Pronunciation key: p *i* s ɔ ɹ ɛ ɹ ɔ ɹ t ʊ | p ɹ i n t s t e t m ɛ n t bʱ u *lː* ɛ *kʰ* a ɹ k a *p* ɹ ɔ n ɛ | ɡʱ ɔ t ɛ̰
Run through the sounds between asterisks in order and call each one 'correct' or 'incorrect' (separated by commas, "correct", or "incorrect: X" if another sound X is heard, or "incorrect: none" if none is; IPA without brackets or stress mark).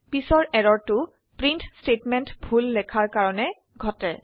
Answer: correct, correct, correct, incorrect: none